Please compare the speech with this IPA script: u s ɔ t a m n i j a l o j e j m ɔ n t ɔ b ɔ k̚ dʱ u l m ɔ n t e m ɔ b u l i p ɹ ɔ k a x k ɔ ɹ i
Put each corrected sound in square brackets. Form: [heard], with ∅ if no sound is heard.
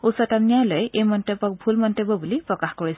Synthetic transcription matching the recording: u s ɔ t a m n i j a l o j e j m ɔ n t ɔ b ɔ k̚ [bʱ] u l m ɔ n t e [b] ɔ b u l i p ɹ ɔ k a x k ɔ ɹ i